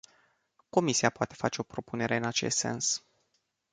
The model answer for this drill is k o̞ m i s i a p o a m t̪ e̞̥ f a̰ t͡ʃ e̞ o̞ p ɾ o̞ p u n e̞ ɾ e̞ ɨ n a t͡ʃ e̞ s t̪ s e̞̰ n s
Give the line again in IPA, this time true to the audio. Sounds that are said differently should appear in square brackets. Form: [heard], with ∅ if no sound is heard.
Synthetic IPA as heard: k o̞ m i s i a p o a [∅] t̪ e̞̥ f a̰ t͡ʃ e̞ o̞ p ɾ o̞ p u n e̞ ɾ e̞ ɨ n a t͡ʃ e̞ s t̪ s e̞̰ n s

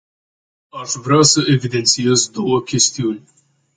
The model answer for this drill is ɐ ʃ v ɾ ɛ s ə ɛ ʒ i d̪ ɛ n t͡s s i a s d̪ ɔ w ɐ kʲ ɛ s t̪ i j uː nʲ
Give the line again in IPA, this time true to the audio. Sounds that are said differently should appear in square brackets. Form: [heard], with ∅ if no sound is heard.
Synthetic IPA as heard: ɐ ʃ v ɾ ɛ s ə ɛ [v] i d̪ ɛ n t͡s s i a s d̪ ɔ w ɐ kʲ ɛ s t̪ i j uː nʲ

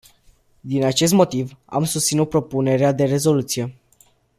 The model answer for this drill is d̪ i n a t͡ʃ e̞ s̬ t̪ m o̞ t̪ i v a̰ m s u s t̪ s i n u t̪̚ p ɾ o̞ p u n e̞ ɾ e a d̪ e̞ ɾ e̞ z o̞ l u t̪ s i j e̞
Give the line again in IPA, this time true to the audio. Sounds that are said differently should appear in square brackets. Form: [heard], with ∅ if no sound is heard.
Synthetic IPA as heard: d̪ i n a t͡ʃ e̞ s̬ t̪ m o̞ t̪ i v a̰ m s u s t̪ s i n u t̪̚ p ɾ o̞ p u n e̞ ɾ e a d̪ e̞ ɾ e̞ z o̞ l u t̪ s i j e̞

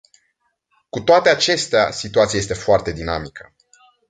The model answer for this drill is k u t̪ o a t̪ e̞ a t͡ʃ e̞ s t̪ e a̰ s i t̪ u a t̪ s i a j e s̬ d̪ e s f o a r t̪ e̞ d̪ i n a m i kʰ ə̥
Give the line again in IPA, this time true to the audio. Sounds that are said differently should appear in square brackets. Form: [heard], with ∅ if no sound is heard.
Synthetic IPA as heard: k u t̪ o a t̪ e̞ a t͡ʃ e̞ s t̪ e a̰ s i t̪ u a t̪ s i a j e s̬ [t̪] e [∅] f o a r t̪ e̞ d̪ i n a m i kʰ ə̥

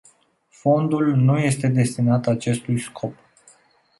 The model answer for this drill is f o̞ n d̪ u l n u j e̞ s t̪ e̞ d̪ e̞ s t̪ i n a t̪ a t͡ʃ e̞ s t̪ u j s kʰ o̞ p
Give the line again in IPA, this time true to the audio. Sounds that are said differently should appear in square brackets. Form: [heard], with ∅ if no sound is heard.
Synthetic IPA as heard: f o̞ n d̪ u l n u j e̞ s t̪ e̞ d̪ e̞ s t̪ i n a t̪ a t͡ʃ e̞ s t̪ u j s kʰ o̞ p

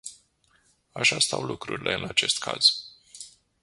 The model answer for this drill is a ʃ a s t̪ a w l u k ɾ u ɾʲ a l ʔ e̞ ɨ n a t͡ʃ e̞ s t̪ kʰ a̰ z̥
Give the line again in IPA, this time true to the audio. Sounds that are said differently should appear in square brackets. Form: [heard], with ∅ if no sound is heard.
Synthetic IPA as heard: a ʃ a s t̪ a w l u k ɾ u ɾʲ [i] l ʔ e̞ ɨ n a t͡ʃ e̞ s t̪ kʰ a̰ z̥

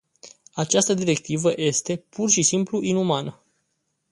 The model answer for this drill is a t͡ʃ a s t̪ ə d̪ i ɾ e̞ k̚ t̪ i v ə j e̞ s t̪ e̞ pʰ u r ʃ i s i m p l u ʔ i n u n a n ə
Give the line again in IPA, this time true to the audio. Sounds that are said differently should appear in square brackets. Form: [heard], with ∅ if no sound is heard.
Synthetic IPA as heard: a t͡ʃ a s t̪ ə d̪ i ɾ e̞ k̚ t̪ i v ə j e̞ s t̪ e̞ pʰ u r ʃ i s i m p l u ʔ i n u [m] a n ə

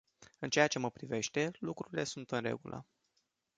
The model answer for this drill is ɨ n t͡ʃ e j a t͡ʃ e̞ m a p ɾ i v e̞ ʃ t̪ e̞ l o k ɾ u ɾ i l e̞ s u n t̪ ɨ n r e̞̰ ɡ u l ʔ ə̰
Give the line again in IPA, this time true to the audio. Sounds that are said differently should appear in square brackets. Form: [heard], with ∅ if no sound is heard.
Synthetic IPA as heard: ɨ n t͡ʃ e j a t͡ʃ e̞ m [ə] p ɾ i v e̞ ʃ t̪ e̞ l [u] k ɾ u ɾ i l e̞ s u n t̪ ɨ n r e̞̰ ɡ u l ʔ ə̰

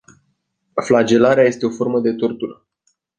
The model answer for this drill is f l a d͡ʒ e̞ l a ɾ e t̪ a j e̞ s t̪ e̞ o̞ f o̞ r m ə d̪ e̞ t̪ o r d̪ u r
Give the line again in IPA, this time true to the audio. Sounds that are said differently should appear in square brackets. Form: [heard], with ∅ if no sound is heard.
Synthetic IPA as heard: f l a d͡ʒ e̞ l a ɾ e [∅] a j e̞ s t̪ e̞ o̞ f o̞ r m ə d̪ e̞ t̪ o r [t̪] u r

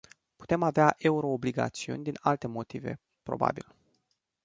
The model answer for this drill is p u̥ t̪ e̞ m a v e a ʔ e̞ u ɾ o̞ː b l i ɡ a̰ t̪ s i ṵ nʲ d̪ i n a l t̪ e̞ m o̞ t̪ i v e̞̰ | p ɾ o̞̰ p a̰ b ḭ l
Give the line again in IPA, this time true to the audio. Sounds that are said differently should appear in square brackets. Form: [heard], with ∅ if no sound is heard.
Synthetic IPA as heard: p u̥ t̪ e̞ m a v e a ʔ e̞ u ɾ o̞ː b l i ɡ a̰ t̪ s i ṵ nʲ d̪ i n a l t̪ e̞ m o̞ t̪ i v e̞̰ | p ɾ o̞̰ [b] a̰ b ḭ l

